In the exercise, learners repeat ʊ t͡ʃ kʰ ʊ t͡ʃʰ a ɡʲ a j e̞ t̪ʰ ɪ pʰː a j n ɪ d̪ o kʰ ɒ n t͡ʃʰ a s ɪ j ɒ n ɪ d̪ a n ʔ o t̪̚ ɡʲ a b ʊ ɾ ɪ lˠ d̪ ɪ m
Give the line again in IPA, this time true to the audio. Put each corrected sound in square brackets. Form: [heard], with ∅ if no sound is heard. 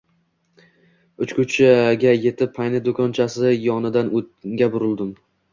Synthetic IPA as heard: ʊ t͡ʃ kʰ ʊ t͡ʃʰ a ɡʲ a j e̞ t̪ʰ ɪ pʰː a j n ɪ d̪ o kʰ ɒ n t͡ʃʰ a s ɪ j ɒ n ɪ d̪ a n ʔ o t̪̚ ɡʲ a b ʊ ɾ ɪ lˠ d̪ ɪ m